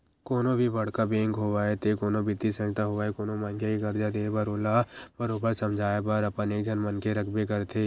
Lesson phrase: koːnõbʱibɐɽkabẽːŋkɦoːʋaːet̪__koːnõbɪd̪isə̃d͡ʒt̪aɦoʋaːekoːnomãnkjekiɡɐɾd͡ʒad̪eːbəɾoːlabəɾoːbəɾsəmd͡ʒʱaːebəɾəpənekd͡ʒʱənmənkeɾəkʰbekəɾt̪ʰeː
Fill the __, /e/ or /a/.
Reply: e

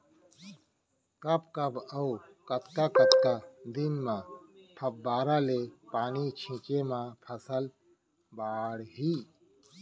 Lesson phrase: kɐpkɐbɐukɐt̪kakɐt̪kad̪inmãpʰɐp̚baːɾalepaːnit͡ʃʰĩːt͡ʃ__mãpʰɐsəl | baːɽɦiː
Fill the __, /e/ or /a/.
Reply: e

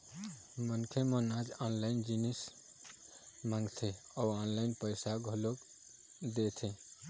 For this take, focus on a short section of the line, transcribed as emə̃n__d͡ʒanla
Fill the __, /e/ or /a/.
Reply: a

